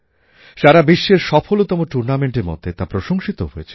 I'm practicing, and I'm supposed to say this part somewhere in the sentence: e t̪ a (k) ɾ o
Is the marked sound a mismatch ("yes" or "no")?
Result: yes